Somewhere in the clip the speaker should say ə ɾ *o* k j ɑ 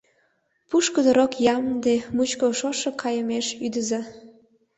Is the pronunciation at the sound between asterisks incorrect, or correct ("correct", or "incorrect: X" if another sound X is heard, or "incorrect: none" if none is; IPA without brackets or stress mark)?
correct